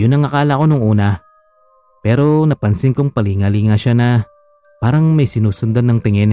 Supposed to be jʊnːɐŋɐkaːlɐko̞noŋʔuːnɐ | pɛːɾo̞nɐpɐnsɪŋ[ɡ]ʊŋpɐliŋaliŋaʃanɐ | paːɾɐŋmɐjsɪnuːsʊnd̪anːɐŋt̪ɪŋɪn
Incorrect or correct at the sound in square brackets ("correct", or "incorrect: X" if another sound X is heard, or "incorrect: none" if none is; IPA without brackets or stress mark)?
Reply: incorrect: k